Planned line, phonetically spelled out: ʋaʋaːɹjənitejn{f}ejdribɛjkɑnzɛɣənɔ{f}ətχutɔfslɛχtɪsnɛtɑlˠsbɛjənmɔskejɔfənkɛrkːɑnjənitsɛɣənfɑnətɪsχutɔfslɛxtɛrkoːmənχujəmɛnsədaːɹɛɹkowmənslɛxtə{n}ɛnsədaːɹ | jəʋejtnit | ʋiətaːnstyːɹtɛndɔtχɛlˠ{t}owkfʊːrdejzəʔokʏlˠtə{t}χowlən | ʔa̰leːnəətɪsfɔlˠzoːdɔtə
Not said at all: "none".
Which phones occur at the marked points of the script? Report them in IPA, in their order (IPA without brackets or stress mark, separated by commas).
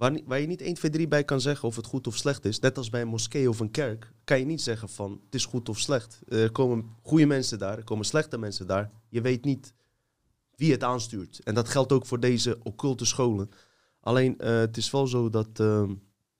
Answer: f, f, m, t, s